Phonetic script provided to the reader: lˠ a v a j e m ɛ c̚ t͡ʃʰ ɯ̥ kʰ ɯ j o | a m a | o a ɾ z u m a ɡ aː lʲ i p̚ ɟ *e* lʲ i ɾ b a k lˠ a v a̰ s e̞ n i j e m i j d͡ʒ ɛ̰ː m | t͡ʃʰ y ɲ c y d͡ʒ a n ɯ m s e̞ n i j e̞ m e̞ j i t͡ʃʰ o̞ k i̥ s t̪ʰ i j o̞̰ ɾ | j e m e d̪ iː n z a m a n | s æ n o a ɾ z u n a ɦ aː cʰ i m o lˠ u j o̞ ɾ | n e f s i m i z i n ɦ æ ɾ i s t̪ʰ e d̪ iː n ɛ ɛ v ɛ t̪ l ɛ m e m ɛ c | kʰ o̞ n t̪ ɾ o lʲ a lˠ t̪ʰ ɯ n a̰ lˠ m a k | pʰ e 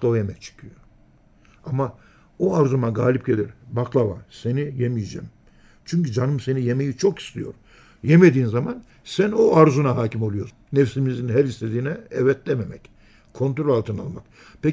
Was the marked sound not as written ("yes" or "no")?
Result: no